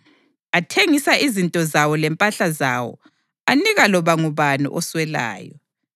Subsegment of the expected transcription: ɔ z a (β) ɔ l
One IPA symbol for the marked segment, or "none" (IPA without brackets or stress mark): w